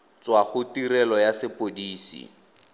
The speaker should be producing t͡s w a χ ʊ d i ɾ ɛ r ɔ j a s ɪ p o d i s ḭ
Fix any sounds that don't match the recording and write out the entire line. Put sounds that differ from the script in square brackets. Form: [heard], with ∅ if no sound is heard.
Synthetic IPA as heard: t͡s w a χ ʊ [t] i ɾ ɛ [l] ɔ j a s ɪ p o d [iː] s ḭ